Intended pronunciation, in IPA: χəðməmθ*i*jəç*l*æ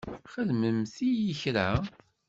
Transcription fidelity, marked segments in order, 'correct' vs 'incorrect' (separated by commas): correct, incorrect